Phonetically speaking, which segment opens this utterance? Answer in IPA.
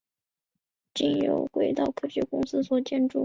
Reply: t͡ɕ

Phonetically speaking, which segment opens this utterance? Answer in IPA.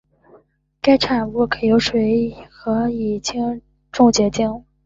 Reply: k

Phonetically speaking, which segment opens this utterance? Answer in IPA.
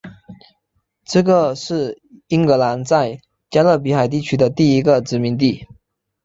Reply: ʈ͡ʂ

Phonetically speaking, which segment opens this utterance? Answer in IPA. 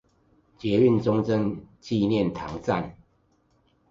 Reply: t͡ɕ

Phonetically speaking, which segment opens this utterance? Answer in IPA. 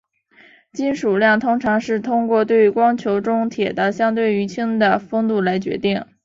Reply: t͡ɕ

